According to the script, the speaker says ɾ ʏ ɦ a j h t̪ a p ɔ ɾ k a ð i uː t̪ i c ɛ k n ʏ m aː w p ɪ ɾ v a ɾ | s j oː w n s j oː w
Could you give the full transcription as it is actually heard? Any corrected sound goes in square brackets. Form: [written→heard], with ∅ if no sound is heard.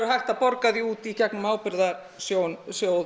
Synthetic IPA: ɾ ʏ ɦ a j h t̪ a p ɔ ɾ k a ð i uː t̪ i c ɛ k n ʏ m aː w p ɪ ɾ [v→ð] a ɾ | s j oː w n s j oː w